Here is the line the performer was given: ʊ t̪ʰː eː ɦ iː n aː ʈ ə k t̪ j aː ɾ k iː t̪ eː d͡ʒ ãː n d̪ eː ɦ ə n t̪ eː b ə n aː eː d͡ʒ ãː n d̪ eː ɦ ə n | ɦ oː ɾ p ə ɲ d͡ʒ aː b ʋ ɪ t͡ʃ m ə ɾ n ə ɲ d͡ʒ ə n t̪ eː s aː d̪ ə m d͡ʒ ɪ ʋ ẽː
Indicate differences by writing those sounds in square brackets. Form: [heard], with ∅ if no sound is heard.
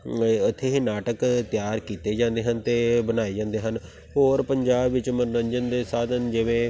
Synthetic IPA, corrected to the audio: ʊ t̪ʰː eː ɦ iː n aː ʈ ə k t̪ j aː ɾ k iː t̪ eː d͡ʒ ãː n d̪ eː ɦ ə n t̪ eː b ə n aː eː d͡ʒ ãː n d̪ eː ɦ ə n | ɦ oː ɾ p ə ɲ d͡ʒ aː b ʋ ɪ t͡ʃ m ə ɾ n ə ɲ d͡ʒ ə n [d̪] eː s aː d̪ ə [n] d͡ʒ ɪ ʋ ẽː